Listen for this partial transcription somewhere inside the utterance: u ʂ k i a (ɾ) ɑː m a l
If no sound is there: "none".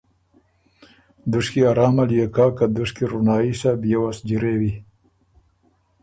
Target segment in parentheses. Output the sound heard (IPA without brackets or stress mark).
ɾ